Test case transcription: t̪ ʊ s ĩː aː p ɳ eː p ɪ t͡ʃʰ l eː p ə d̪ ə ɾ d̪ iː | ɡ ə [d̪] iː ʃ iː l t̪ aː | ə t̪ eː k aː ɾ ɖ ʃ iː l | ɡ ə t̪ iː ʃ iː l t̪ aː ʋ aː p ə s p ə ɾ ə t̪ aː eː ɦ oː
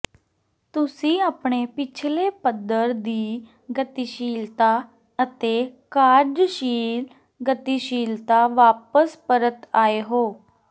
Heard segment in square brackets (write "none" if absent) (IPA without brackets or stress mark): t̪